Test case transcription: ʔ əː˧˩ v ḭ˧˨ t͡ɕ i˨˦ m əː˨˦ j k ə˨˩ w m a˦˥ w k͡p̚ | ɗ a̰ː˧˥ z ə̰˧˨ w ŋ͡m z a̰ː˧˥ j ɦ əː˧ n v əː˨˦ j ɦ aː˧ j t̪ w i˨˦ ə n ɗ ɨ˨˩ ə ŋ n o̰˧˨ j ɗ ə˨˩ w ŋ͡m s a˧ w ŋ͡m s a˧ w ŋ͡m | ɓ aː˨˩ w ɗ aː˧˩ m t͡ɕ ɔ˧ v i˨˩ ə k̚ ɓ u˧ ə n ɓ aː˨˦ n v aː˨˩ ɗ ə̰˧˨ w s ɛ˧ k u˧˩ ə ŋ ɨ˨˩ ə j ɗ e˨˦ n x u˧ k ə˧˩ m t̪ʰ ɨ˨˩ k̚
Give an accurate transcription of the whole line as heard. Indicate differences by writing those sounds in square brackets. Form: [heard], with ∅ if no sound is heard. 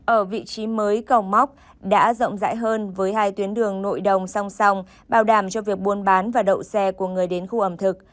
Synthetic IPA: ʔ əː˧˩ v ḭ˧˨ t͡ɕ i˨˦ m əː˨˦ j k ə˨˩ w m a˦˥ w k͡p̚ | ɗ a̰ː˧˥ z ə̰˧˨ w ŋ͡m z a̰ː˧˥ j ɦ əː˧ n v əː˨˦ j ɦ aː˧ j t̪ w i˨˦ ə n ɗ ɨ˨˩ ə ŋ n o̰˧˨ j ɗ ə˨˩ w ŋ͡m s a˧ w ŋ͡m s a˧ w ŋ͡m | ɓ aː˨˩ w ɗ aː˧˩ m t͡ɕ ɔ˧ v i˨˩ ə k̚ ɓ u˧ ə n ɓ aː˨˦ n v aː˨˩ ɗ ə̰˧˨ w s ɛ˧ k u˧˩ ə ŋ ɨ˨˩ ə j ɗ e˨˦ n x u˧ [ʔ] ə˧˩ m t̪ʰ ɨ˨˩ k̚